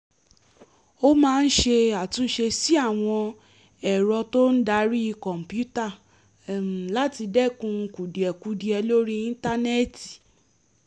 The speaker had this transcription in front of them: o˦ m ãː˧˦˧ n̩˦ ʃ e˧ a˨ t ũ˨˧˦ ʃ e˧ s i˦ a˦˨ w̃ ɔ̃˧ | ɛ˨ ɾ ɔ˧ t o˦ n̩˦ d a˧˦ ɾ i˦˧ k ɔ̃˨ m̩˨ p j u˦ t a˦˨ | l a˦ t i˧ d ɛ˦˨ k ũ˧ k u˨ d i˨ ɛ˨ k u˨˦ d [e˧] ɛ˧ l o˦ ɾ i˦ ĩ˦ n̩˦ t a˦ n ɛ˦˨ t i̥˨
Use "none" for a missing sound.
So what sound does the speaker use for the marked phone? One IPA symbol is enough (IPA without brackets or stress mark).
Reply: i˧